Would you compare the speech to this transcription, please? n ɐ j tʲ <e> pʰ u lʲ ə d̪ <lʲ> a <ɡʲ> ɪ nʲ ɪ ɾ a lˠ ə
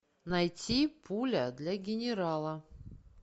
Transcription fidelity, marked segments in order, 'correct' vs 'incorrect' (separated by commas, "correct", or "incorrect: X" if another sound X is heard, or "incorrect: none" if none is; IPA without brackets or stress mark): incorrect: i, correct, correct